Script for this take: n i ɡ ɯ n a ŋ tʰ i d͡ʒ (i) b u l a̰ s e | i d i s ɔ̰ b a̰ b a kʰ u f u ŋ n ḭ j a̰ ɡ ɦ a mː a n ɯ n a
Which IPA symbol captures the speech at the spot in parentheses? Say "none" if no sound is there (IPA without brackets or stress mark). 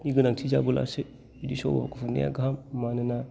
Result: a